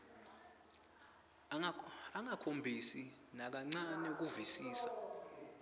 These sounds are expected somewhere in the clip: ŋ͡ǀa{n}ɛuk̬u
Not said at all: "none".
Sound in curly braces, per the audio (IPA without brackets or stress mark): n